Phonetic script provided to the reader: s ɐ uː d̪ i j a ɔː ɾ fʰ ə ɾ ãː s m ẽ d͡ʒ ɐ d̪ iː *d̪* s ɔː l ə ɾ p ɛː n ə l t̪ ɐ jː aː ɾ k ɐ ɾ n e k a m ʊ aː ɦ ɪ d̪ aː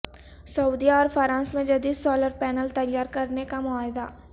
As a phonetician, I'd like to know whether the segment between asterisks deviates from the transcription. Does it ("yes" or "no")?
no